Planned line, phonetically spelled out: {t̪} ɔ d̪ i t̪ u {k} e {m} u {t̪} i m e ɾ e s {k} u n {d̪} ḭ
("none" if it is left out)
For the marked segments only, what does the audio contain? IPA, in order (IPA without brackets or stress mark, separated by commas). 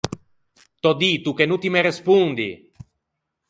t̪, k, n, t̪, p, d̪